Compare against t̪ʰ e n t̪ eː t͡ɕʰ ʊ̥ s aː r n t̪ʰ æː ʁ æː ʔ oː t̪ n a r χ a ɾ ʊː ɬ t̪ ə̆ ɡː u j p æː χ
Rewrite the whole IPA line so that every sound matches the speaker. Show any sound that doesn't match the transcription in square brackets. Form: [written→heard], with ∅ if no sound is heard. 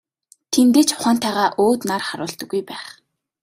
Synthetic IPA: t̪ʰ e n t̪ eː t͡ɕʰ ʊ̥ [s→χ] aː [r→∅] n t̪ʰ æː ʁ [æː→aː] ʔ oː t̪ n a r χ a ɾ ʊː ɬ t̪ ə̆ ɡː u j p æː χ

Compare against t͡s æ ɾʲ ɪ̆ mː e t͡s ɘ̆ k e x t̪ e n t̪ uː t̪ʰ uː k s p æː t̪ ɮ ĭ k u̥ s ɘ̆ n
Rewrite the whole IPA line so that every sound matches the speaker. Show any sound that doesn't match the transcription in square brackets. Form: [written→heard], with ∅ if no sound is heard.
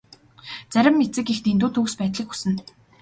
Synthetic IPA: t͡s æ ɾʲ ɪ̆ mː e t͡s ɘ̆ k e x t̪ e n t̪ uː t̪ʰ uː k s p æː t̪ ɮ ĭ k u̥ s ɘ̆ n

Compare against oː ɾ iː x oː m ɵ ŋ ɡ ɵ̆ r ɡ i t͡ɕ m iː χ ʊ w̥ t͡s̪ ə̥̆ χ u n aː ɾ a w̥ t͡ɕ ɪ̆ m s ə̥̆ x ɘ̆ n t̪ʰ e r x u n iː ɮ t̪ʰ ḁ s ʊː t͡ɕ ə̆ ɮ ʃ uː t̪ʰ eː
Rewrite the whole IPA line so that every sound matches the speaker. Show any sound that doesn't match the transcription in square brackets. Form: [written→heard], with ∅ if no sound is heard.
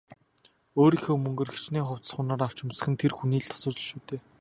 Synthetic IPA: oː ɾ iː x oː m ɵ ŋ ɡ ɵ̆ r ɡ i t͡ɕ [m→n] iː χ ʊ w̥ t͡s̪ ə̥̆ χ [u→ʊ] n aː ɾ a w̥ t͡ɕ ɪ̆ m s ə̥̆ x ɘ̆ n t̪ʰ e r x u n iː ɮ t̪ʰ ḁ s ʊː t͡ɕ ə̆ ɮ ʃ uː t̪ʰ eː

